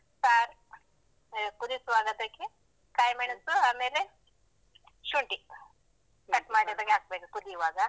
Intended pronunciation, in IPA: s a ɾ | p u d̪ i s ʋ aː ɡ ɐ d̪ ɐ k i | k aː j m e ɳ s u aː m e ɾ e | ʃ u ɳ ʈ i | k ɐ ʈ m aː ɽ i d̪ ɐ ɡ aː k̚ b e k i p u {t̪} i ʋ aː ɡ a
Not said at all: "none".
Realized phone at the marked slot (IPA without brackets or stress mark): d̪